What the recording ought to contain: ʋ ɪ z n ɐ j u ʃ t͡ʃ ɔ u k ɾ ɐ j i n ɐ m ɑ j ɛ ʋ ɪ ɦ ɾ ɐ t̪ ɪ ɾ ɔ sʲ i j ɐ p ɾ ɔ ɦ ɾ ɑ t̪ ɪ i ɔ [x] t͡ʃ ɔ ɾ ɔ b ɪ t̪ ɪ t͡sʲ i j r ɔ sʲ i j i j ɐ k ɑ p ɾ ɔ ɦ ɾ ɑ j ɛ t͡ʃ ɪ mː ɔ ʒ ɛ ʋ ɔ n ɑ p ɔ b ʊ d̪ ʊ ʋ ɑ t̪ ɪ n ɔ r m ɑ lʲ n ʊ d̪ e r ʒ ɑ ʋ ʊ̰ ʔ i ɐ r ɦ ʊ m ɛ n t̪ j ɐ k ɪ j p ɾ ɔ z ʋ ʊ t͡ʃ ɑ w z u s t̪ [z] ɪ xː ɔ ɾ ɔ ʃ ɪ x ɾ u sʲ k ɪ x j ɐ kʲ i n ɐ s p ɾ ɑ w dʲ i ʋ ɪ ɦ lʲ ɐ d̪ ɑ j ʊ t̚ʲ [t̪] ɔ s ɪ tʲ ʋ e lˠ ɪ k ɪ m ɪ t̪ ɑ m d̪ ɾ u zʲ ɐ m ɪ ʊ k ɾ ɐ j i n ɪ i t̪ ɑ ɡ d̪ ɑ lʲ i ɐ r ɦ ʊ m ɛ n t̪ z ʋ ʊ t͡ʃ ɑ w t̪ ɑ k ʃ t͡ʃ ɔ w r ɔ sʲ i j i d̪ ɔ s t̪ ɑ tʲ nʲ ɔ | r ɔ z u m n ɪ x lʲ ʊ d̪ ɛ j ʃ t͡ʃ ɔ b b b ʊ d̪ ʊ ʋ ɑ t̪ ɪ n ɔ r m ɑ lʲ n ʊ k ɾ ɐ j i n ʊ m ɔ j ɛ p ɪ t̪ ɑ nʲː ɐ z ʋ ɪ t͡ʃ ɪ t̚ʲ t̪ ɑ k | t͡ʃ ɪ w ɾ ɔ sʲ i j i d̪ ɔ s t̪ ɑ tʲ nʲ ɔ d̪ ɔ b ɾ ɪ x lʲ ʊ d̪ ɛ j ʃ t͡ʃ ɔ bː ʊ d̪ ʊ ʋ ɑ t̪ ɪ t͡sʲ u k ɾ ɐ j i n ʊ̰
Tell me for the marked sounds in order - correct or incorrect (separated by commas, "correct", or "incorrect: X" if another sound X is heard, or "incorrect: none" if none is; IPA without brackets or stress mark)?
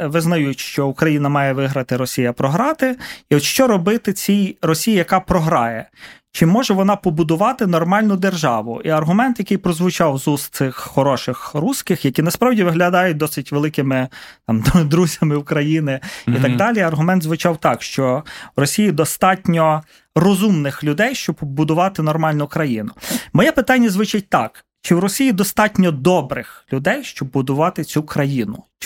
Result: incorrect: ʃ, incorrect: s, incorrect: d̪